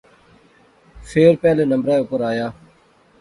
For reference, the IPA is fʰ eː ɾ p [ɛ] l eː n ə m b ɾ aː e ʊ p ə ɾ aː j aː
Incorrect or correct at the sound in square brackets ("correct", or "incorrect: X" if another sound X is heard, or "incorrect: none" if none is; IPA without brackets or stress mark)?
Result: incorrect: ɛː